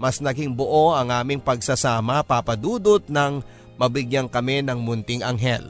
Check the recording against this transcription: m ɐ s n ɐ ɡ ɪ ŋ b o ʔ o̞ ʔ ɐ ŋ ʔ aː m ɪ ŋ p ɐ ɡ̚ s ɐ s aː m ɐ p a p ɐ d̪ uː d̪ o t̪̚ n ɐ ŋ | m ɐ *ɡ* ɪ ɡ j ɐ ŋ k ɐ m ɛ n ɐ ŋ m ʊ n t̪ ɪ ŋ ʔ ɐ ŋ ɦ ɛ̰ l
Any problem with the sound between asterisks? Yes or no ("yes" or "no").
yes